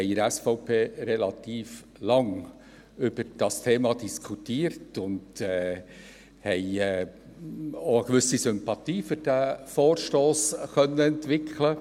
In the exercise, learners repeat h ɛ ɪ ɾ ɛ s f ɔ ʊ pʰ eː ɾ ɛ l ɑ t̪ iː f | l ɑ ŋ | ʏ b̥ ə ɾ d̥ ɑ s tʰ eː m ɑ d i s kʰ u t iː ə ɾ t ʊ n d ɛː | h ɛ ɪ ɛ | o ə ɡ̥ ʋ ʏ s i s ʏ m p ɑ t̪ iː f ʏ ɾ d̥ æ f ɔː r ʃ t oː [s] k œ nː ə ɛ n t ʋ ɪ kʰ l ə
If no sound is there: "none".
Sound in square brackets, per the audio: s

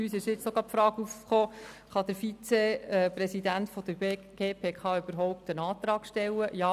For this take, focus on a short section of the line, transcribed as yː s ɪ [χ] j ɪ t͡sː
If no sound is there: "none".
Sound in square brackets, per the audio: ʃ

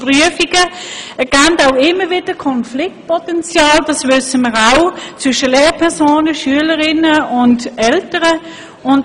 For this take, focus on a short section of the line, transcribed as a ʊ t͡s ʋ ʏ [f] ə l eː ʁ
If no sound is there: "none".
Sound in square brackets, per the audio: ʃ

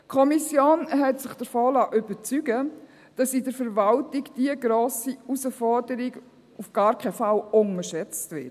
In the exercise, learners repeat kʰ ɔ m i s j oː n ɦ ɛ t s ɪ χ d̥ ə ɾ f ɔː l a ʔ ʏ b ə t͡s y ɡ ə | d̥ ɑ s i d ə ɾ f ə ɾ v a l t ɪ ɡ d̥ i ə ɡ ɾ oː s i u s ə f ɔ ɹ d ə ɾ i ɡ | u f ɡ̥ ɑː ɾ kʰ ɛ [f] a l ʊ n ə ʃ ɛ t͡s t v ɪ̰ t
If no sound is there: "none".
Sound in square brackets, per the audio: f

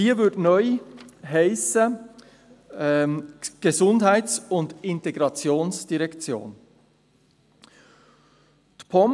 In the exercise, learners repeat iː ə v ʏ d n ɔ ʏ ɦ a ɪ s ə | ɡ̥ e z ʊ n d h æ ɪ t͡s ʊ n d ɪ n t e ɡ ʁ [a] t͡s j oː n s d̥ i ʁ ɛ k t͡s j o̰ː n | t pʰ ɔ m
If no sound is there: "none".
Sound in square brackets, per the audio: ɑ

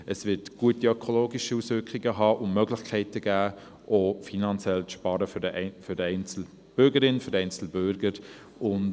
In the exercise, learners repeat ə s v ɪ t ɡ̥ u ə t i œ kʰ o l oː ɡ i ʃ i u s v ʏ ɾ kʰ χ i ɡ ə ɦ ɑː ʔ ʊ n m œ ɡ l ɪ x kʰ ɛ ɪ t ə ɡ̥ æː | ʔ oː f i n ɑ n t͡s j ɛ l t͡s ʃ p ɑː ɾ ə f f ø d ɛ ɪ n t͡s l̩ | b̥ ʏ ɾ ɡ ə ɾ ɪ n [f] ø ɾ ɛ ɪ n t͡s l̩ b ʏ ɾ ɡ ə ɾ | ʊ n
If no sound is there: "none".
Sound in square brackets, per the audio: f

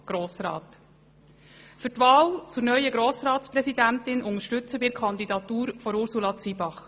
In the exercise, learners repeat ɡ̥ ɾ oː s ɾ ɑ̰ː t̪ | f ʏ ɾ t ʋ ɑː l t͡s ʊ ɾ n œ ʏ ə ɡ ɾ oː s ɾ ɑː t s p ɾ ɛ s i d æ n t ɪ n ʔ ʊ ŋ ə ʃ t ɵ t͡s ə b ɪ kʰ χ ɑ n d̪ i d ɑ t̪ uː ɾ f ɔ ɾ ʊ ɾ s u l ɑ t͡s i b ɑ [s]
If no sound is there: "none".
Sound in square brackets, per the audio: χ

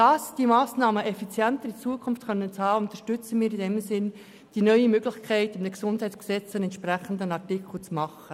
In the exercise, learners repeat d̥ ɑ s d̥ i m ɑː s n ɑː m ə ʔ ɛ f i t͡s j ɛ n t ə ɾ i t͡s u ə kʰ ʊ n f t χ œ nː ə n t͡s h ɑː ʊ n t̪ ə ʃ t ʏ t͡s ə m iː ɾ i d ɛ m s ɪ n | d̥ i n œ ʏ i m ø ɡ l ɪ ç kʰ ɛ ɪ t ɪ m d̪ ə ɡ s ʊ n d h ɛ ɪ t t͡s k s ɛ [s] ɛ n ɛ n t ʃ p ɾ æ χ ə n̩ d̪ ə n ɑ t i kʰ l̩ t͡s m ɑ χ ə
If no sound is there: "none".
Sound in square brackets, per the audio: t͡s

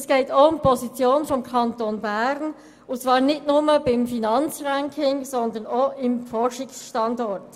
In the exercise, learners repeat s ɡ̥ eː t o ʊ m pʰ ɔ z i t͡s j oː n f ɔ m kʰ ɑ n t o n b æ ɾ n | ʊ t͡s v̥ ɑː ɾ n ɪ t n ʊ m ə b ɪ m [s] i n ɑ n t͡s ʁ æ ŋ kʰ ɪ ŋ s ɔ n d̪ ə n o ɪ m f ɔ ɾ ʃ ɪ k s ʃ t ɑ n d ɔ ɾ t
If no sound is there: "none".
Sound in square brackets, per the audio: f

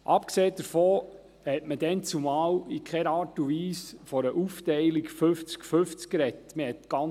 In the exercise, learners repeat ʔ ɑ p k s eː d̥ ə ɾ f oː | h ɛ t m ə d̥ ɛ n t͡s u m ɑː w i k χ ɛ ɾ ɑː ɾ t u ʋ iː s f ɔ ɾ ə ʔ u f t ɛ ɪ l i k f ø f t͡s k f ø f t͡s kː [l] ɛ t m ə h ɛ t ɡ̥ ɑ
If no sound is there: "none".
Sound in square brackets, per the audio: ɾ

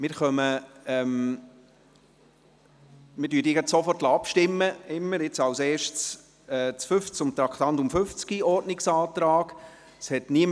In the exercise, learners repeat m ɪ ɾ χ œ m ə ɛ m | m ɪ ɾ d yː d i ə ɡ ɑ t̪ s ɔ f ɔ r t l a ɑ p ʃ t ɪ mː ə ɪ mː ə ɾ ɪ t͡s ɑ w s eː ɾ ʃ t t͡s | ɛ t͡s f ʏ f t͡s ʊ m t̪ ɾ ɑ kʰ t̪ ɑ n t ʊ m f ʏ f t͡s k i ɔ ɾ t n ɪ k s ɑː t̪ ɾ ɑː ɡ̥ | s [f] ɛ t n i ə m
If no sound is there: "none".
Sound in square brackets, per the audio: h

